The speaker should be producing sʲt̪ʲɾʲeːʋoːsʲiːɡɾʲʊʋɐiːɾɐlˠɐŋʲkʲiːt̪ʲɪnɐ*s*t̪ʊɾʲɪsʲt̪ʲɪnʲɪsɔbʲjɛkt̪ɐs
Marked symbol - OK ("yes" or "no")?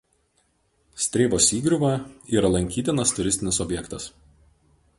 yes